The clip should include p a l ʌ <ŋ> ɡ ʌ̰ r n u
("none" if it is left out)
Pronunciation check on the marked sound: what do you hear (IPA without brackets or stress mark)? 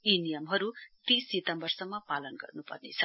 n